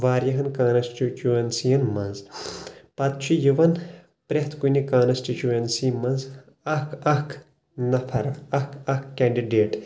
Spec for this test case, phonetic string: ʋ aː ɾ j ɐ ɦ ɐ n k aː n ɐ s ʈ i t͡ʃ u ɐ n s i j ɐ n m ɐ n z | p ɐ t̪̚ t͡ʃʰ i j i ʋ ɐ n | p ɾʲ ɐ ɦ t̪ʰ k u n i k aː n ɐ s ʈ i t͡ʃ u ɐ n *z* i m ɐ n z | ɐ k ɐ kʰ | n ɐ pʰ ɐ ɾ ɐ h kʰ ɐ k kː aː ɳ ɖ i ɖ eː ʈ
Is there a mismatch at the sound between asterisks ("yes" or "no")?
yes